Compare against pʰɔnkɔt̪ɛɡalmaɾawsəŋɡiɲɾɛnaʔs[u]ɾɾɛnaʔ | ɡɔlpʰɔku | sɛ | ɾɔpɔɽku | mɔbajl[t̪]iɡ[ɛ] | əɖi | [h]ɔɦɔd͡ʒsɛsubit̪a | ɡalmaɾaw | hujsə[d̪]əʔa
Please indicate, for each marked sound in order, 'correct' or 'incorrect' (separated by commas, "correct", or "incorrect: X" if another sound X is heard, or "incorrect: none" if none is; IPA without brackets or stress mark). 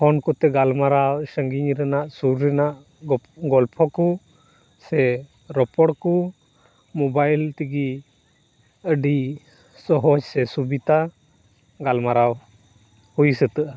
correct, correct, incorrect: i, incorrect: s, incorrect: t̪